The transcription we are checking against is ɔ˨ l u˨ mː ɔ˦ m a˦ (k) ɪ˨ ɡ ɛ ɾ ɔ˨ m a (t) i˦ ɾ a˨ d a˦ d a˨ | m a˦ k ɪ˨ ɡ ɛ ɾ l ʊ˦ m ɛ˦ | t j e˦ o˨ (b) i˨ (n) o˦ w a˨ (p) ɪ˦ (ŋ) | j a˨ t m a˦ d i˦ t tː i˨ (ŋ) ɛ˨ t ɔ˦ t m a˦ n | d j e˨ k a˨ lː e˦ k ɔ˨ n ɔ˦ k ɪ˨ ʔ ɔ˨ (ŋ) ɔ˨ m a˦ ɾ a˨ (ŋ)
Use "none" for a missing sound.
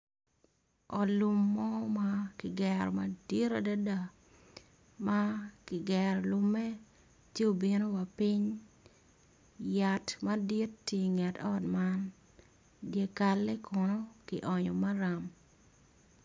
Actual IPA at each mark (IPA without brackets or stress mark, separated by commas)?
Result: k, d, b, n, p, ɲ, ŋ, ɲ, m